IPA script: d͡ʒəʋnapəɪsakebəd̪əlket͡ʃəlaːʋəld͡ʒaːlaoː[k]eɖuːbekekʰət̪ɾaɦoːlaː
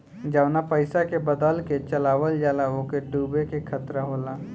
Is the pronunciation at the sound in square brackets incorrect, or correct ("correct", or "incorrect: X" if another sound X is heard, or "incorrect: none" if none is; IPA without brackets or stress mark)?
correct